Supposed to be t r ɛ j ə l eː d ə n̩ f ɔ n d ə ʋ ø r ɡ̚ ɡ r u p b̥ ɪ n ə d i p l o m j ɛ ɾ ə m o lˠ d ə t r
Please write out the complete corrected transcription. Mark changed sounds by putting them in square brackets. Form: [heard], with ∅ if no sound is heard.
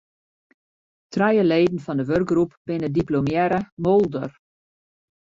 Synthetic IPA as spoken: t r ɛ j ə l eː d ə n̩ f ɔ n d ə ʋ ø r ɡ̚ ɡ r u p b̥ ɪ n ə d i p l o m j ɛ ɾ ə m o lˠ d ə [∅] r